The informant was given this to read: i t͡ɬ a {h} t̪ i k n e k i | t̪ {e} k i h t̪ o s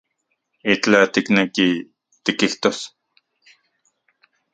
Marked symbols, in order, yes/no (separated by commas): no, no